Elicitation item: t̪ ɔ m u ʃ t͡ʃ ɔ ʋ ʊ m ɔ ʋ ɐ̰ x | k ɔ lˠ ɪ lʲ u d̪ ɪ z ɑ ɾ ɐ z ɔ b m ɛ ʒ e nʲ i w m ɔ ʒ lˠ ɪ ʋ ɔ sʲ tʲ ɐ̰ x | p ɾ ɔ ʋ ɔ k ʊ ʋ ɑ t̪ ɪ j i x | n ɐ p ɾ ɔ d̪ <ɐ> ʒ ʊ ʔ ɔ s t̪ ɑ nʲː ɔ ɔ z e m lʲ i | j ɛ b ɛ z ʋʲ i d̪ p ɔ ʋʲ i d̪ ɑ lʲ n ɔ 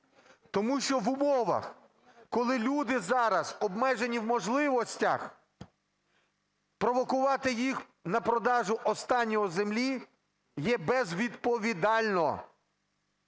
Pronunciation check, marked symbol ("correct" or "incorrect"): incorrect